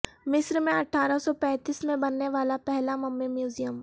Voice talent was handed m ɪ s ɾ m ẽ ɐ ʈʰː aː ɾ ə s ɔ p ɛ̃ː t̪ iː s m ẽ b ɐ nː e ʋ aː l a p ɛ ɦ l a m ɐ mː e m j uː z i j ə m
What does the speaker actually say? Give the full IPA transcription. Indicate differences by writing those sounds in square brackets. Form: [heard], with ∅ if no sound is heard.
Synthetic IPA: m ɪ s ɾ m ẽ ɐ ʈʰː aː ɾ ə s ɔ p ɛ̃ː t̪ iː s m ẽ b ɐ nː e ʋ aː l a p ɛ ɦ l a m ɐ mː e m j uː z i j ə m